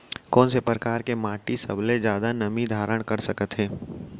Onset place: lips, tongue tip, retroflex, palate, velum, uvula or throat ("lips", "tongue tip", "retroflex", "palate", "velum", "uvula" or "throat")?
velum